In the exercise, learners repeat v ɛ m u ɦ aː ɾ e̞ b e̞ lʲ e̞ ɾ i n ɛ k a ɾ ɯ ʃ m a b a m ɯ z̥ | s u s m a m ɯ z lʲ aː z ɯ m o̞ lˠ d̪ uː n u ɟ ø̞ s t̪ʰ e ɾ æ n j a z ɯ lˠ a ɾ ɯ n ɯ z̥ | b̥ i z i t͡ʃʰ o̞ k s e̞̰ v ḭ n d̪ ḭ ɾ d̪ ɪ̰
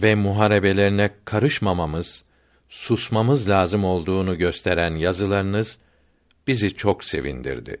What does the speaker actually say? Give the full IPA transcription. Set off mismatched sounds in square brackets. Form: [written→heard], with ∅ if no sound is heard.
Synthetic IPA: v ɛ m u ɦ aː ɾ e̞ b e̞ lʲ e̞ ɾ i n ɛ [k→kʰ] a ɾ ɯ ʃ m a [b→m] a m ɯ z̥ | s u s m a m ɯ z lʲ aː z ɯ m o̞ lˠ d̪ uː n u ɟ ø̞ s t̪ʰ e ɾ æ n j a z ɯ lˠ a ɾ ɯ n ɯ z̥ | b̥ i z i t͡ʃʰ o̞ k s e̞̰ v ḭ n d̪ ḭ ɾ d̪ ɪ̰